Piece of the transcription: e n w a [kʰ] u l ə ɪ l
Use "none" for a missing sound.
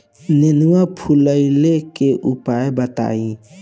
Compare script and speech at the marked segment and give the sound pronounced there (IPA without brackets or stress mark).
pʰ